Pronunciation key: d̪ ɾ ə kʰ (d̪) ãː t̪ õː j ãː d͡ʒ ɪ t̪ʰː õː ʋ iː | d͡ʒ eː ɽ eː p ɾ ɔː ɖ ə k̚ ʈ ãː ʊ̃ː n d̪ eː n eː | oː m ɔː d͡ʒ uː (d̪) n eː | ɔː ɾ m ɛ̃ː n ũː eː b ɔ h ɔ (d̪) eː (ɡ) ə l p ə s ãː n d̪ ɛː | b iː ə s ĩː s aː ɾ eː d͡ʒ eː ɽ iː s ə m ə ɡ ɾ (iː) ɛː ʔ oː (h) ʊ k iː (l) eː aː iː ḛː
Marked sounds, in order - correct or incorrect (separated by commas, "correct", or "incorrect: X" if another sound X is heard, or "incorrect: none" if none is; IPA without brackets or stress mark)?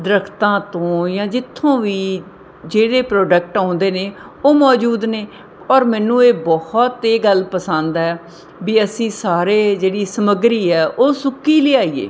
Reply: incorrect: t̪, correct, incorrect: t̪, correct, correct, incorrect: s, correct